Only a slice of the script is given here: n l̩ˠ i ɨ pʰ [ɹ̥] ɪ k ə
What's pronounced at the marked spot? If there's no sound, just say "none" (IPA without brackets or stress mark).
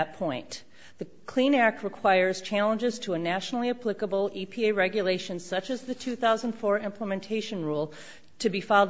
l̥